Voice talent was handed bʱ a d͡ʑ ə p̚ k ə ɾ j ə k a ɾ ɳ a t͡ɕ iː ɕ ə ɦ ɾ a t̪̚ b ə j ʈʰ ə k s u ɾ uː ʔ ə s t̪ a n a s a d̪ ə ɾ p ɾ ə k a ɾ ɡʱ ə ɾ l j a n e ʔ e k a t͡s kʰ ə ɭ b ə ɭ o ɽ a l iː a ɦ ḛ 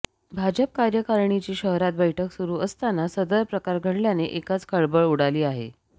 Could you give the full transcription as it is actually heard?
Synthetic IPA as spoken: bʱ a d͡ʑ ə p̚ k a ɾ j ə k a ɾ ɳ i t͡ɕ iː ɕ ə ɦ ɾ a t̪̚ b ə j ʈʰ ə k s u ɾ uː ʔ ə s t̪ a n a s ə d̪ ə ɾ p ɾ ə k a ɾ ɡʱ ə ɽ l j a n e ʔ e k a t͡s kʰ ə ɭ b ə ɭ u ɽ a l iː a ɦ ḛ